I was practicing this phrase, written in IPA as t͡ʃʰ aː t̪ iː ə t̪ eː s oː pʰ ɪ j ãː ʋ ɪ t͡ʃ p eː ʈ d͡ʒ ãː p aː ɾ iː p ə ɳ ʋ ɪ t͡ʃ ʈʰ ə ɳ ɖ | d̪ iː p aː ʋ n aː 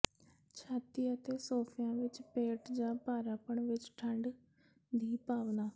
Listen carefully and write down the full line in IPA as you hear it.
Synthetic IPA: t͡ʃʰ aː t̪ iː ə t̪ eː s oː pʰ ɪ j ãː ʋ ɪ t͡ʃ p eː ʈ d͡ʒ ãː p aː ɾ aː p ə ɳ ʋ ɪ t͡ʃ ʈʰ ə ɳ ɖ | d̪ iː p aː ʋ n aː